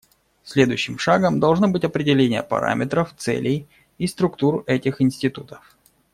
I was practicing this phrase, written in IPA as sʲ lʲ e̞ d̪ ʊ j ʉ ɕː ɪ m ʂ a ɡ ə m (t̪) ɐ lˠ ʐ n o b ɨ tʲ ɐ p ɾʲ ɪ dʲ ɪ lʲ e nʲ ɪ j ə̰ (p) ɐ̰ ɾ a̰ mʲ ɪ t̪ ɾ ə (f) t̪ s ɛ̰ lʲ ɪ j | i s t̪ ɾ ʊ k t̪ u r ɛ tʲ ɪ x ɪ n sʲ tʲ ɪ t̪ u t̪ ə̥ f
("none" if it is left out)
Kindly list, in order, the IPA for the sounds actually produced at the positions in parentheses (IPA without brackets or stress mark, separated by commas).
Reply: d̪, p, f